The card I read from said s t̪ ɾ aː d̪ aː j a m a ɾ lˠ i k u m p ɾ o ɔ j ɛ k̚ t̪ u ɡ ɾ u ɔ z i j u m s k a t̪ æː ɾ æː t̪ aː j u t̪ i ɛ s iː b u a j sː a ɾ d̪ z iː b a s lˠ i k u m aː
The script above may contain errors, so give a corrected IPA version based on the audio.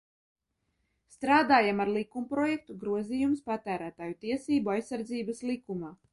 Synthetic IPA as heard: s t̪ ɾ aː d̪ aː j a m a ɾ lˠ i k u m p ɾ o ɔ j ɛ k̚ t̪ u ɡ ɾ u ɔ z i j u m s p a t̪ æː ɾ æː t̪ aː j u t̪ i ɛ s iː b u a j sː a ɾ d̪ z iː b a s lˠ i k u m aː